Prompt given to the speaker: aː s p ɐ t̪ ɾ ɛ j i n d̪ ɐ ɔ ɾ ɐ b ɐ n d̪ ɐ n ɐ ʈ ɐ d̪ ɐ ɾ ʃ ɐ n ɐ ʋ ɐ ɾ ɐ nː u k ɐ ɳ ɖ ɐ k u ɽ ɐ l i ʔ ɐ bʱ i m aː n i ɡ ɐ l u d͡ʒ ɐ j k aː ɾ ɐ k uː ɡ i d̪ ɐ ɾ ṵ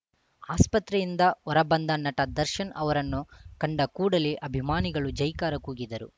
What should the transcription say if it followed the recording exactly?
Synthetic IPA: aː s p ɐ t̪ ɾ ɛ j i n d̪ ɐ ɔ ɾ ɐ b ɐ n d̪ ɐ n ɐ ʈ ɐ d̪ ɐ ɾ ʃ ɐ n ɐ ʋ ɐ ɾ ɐ nː u k ɐ ɳ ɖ ɐ k uː ɽ ɐ l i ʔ ɐ bʱ i m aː n i ɡ ɐ ɭ u d͡ʒ ɐ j k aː ɾ ɐ k uː ɡ i d̪ ɐ ɾ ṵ

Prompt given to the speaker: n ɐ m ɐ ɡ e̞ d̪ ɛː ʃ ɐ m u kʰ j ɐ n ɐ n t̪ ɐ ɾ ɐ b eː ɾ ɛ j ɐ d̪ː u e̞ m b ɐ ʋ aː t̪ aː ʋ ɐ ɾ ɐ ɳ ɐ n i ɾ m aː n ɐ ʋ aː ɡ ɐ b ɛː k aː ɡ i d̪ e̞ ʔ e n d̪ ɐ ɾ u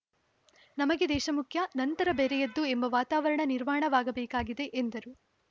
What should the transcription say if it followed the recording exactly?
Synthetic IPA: n ɐ m ɐ ɡ e̞ d̪ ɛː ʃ ɐ m u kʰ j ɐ n ɐ n t̪ ɐ ɾ ɐ b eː ɾ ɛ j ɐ d̪ː u e̞ m b ɐ ʋ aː t̪ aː ʋ ɐ ɾ ɐ ɳ ɐ n i ɾ m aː ɳ ɐ ʋ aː ɡ ɐ b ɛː k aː ɡ i d̪ e̞ ʔ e n d̪ ɐ ɾ u

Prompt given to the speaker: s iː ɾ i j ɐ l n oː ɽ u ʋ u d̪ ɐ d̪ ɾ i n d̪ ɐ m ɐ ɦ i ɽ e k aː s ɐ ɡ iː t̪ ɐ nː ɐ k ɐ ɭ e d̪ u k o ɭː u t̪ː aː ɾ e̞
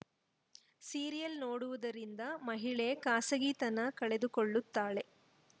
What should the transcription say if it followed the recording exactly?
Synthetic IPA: s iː ɾ i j ɐ l n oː ɽ u ʋ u d̪ ɐ ɾ i n d̪ ɐ m ɐ ɦ i ɭ e k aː s ɐ ɡ iː t̪ ɐ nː ɐ k ɐ ɭ e d̪ u k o ɭː u t̪ː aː ɭ e̞

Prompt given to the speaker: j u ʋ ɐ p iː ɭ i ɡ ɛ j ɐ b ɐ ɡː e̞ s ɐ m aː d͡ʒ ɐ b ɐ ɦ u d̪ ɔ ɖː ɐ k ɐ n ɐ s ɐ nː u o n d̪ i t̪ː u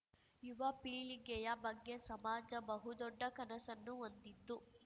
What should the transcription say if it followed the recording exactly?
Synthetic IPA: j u ʋ ɐ p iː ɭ i ɡ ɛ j ɐ b ɐ ɡː e̞ s ɐ m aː d͡ʒ ɐ b ɐ ɦ u d̪ ɔ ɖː ɐ k ɐ n ɐ s ɐ nː u o n d̪ i d̪ː u

